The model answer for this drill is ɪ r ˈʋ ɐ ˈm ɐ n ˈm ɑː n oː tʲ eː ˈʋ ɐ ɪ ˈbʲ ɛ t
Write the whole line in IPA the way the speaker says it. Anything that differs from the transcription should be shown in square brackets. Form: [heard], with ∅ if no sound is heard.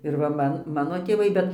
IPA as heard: ɪ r ˈʋ ɐ ˈm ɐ n ˈm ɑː n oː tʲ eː ˈʋ ɐ ɪ ˈbʲ ɛ t